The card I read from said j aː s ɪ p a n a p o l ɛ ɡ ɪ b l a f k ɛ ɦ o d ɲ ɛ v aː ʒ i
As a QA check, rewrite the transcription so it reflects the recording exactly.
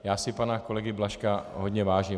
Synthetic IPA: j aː s ɪ p a n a k o l ɛ ɡ ɪ b l a ʃ k a ɦ o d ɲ ɛ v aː ʒ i